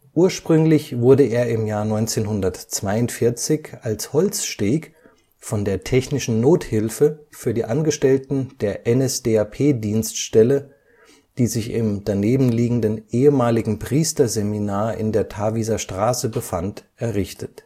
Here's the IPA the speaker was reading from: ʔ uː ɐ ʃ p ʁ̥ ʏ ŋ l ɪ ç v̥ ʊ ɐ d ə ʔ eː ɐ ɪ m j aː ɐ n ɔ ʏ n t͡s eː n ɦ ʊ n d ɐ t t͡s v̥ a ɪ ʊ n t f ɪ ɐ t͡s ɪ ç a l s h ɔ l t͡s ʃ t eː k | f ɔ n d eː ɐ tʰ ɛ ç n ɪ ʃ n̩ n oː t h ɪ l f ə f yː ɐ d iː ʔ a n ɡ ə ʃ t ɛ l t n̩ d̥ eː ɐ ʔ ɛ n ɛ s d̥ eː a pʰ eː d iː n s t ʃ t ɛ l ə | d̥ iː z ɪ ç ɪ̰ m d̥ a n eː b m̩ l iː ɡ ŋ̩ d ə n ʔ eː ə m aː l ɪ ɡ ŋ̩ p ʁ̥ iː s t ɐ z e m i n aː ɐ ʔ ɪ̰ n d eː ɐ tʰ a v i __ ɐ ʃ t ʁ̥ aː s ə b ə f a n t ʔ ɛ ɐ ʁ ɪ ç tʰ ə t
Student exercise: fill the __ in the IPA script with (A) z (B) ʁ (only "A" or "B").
A